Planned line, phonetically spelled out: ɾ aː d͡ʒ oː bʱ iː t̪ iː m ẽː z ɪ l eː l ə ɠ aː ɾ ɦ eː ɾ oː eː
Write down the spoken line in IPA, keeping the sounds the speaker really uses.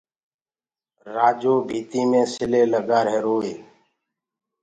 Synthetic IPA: ɾ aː d͡ʒ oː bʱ iː t̪ iː m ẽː s ɪ l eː l ə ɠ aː ɾ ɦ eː ɾ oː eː